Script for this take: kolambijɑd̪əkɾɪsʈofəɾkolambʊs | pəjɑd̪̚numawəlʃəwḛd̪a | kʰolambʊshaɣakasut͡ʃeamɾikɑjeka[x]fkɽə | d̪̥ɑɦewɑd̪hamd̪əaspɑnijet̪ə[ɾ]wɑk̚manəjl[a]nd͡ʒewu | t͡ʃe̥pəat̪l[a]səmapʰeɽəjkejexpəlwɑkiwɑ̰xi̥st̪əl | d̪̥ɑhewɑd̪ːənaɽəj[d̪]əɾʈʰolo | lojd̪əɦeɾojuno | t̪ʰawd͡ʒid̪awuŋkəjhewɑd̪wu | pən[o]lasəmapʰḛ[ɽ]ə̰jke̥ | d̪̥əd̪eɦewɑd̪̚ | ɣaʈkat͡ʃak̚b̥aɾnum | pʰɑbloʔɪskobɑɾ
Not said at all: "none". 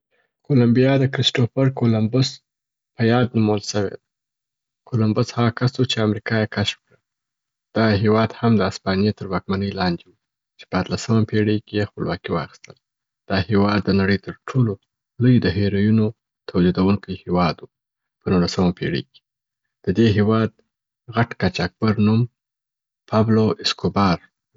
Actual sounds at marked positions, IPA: ʃ, ɾ, ɑ, a, t̪, u, ɽ

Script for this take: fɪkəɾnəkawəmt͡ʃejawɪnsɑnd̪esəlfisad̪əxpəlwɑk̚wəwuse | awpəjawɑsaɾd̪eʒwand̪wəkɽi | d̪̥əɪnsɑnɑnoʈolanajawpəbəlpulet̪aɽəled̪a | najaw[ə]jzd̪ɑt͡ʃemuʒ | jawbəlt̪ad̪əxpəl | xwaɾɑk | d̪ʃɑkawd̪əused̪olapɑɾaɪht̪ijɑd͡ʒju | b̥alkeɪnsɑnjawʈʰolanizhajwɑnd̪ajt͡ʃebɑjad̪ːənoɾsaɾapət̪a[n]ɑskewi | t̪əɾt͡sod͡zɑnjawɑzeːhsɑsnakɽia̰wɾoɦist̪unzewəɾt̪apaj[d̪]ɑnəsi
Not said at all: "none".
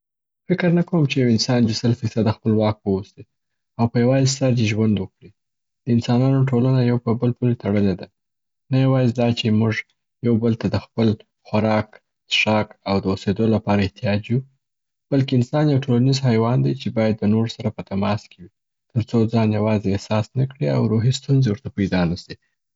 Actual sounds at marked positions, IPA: ɑ, m, d̪

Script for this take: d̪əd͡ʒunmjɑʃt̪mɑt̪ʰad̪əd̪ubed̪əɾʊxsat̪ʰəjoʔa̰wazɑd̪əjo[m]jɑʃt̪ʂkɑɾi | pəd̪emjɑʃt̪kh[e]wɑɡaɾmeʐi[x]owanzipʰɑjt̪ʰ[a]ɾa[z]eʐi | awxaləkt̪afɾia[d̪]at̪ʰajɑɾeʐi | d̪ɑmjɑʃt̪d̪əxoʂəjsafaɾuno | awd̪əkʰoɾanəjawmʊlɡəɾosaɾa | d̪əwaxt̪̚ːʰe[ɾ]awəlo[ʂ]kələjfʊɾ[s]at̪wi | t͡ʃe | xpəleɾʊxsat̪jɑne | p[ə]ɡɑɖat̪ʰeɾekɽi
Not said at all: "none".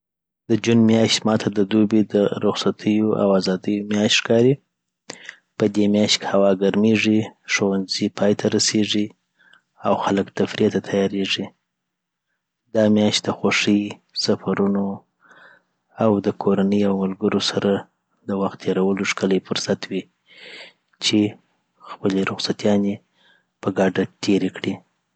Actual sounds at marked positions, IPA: m, a, ʂ, a, s, t̪, ɾ, ʂ, s, ə

